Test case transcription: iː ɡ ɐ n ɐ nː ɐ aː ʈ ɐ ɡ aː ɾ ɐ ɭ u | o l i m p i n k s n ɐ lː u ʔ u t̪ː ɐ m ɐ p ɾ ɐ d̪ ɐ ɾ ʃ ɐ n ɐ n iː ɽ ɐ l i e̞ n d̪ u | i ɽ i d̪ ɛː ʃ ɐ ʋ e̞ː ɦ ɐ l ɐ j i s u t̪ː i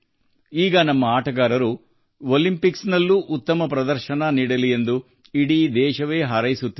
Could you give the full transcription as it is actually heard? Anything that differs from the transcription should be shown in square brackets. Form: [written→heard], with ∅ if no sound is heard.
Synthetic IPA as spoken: iː ɡ ɐ n ɐ [nː→mː] ɐ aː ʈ ɐ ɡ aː ɾ ɐ [ɭ→ɾ] u | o l i m p i [n→∅] k s n ɐ lː u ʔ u t̪ː ɐ m ɐ p ɾ ɐ d̪ ɐ ɾ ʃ ɐ n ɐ n iː ɽ ɐ l i e̞ n d̪ u | i ɽ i d̪ ɛː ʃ ɐ ʋ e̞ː ɦ ɐ [l→ɾ] ɐ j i s u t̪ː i